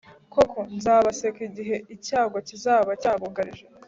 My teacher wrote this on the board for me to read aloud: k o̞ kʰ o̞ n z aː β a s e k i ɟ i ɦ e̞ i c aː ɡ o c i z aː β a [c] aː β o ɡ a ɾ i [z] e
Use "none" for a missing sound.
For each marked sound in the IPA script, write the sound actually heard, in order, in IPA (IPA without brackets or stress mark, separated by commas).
c, ʒ